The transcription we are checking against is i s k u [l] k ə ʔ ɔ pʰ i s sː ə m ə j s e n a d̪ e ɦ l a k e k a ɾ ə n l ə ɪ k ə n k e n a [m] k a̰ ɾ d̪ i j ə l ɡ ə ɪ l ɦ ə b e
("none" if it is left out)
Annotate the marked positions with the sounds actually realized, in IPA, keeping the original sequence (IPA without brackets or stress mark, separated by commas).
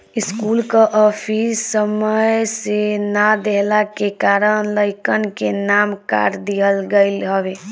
l, m